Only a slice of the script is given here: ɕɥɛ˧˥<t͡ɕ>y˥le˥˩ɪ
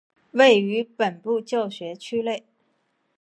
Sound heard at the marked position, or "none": t͡ɕʰ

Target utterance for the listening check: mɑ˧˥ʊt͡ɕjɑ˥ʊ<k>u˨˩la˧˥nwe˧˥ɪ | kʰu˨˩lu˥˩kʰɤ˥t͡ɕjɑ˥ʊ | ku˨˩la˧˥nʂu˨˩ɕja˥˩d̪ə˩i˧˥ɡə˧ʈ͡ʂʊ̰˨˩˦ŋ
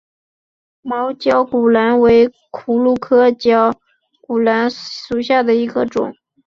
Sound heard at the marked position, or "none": k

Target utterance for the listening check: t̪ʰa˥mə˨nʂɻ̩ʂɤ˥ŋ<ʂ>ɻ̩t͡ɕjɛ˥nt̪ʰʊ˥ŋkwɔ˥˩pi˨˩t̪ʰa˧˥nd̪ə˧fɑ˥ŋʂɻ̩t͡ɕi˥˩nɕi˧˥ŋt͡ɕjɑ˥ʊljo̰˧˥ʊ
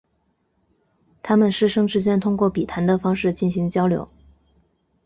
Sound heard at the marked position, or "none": ʈ͡ʂ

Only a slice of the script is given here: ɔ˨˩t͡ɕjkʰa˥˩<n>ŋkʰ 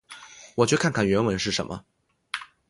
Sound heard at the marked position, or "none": n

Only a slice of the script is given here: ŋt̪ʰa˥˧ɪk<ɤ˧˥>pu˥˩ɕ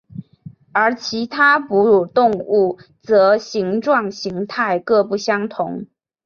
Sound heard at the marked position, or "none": ɤ˥˧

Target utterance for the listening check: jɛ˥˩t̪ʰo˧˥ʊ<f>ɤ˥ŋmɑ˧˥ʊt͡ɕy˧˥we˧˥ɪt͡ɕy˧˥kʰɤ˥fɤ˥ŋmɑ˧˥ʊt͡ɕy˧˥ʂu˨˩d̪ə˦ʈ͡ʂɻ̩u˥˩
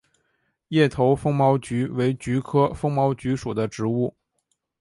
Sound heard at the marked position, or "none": f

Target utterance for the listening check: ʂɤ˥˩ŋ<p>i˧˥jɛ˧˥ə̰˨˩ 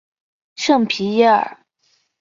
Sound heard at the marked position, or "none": pʰ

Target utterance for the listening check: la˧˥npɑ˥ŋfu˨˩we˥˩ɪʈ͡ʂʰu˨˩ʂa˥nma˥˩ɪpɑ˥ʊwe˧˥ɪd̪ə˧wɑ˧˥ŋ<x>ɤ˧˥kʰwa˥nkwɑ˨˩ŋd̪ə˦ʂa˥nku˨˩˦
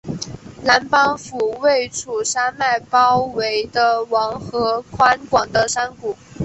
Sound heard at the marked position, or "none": x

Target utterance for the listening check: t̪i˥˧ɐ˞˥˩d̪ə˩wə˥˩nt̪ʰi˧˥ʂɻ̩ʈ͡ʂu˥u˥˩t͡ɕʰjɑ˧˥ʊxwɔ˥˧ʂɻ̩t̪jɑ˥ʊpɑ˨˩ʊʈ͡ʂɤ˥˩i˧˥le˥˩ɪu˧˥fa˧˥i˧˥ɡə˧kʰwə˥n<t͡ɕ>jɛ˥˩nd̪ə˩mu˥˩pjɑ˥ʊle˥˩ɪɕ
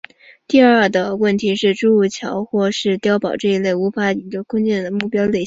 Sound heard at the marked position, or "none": t͡ɕ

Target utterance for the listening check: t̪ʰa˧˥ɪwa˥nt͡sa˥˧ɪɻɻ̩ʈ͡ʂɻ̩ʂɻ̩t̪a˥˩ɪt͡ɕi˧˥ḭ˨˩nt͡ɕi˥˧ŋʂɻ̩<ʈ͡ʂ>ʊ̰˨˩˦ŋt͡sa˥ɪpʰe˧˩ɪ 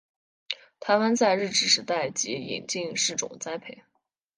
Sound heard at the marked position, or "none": ʈ͡ʂ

